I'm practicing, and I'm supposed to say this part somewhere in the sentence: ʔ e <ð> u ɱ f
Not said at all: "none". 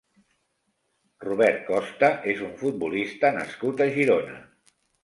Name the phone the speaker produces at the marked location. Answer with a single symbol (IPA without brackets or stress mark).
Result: z